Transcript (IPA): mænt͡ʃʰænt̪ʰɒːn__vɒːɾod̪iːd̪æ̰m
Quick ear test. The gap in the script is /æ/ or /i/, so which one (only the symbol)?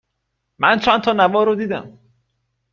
æ